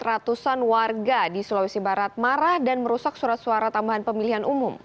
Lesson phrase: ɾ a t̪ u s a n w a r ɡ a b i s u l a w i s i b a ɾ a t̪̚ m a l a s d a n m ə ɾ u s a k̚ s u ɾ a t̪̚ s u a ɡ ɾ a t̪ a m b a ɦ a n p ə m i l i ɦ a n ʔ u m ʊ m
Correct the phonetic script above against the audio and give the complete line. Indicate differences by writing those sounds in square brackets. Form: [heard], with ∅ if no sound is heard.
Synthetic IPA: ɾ a t̪ u s a n w a r ɡ a [d] i s u l a w i s i b a ɾ a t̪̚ m a [ɾ] a [h] d a n m ə ɾ u s a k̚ s u ɾ a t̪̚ s u a [∅] ɾ a t̪ a m b a ɦ a n p ə m i l i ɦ a n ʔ u m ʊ m